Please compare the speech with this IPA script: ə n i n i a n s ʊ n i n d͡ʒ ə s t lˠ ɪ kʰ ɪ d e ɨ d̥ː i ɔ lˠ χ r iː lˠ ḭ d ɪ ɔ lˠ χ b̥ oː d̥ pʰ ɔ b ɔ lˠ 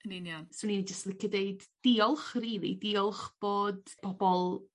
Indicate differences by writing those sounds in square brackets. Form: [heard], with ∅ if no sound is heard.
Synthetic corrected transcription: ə n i n [j] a n s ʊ n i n d͡ʒ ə s t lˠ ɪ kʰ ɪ d e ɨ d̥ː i ɔ lˠ χ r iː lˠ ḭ d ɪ ɔ lˠ χ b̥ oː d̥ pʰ ɔ b ɔ lˠ